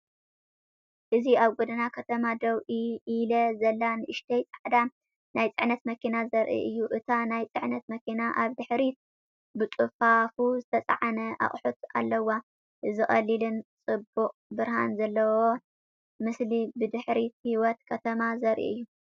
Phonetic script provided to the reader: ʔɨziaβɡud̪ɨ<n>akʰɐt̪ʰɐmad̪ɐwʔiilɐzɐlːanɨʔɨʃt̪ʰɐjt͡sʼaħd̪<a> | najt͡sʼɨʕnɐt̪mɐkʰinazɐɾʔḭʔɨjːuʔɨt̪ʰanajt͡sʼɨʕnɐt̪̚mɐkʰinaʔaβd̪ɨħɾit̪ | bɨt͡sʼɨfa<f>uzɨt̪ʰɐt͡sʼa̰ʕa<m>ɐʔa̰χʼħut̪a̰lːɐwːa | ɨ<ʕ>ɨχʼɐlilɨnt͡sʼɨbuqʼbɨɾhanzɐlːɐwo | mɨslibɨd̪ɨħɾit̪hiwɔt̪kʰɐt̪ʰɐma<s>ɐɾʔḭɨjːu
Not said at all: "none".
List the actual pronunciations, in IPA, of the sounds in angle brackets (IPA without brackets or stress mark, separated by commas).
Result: n, a, f, n, z, z